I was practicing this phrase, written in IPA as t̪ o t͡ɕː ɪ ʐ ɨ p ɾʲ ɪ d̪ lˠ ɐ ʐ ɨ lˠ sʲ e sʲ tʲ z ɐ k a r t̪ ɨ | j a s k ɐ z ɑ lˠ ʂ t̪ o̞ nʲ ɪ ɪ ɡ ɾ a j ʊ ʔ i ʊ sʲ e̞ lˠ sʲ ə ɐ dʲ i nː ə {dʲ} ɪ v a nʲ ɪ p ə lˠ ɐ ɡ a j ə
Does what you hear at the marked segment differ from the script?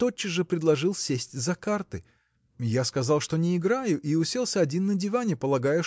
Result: no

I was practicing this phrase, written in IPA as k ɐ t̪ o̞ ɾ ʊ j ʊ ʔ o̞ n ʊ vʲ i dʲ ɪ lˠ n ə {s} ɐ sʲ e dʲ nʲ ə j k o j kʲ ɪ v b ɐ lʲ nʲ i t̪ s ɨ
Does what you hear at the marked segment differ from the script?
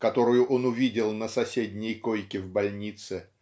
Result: no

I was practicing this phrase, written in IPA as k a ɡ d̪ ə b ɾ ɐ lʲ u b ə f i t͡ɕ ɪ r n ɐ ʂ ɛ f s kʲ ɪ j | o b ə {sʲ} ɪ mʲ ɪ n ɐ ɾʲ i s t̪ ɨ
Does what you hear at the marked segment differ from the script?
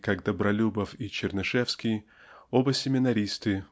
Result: no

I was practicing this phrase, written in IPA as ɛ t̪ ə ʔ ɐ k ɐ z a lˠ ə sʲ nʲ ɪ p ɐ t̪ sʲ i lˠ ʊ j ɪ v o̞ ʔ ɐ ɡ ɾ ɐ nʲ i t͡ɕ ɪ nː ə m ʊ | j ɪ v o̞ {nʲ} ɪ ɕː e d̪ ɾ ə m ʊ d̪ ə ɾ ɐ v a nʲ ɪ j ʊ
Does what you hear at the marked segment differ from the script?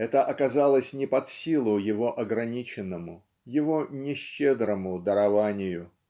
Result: no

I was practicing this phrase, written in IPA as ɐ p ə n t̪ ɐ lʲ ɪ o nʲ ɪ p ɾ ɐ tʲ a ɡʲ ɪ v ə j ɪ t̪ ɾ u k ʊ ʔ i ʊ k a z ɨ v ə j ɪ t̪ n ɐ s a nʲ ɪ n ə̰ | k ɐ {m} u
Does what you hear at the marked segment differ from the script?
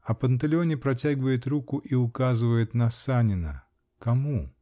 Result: no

